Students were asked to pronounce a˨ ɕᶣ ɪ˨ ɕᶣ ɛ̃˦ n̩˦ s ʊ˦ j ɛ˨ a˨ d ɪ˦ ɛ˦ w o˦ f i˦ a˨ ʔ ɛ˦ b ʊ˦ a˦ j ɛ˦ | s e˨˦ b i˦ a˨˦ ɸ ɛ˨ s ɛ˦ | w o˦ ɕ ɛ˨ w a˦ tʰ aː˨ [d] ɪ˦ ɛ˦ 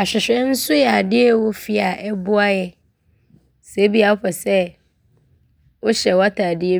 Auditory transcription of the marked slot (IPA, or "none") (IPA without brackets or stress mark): d